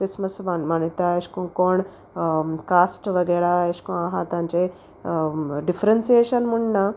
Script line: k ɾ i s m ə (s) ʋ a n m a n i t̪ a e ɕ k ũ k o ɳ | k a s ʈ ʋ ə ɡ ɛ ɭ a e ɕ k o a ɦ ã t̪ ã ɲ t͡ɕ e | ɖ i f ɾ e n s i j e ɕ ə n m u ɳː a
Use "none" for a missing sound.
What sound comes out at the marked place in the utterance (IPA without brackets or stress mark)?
s